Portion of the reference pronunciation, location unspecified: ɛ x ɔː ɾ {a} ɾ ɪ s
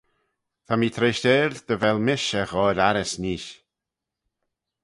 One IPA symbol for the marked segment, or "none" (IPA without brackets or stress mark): a